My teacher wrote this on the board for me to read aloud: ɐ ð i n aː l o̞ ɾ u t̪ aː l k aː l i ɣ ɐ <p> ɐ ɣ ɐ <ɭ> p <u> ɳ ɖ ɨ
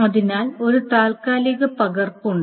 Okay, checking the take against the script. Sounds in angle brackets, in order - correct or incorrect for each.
correct, incorrect: r, correct

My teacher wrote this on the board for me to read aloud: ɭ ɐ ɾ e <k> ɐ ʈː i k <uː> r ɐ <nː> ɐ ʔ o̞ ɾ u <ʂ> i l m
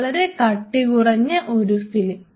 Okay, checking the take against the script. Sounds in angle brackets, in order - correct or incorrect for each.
correct, incorrect: u, incorrect: ɲː, incorrect: f

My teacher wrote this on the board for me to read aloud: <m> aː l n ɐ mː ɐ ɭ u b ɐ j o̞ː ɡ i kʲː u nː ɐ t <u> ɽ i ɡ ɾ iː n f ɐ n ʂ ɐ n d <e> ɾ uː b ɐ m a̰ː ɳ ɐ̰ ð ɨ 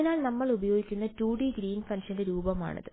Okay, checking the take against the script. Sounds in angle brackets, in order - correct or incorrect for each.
incorrect: n, incorrect: uː, correct

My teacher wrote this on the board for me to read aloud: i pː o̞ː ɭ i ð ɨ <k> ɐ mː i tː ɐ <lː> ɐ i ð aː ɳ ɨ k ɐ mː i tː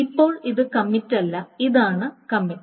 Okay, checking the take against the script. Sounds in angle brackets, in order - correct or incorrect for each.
correct, correct

